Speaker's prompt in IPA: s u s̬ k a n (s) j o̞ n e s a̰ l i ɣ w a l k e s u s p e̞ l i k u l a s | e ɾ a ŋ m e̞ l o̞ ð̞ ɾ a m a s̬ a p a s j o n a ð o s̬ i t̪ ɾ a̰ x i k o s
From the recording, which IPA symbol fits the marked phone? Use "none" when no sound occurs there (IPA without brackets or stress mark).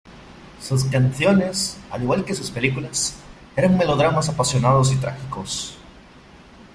θ